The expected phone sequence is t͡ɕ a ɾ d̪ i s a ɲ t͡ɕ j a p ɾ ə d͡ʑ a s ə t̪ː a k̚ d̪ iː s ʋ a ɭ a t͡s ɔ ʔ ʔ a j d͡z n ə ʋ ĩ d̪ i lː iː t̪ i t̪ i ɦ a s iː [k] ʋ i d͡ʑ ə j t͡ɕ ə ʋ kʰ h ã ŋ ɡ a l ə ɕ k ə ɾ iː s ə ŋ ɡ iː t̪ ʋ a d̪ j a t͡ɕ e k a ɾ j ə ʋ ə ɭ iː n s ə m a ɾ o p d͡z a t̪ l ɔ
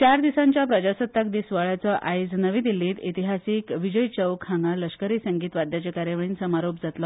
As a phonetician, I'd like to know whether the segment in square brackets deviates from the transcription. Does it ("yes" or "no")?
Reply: no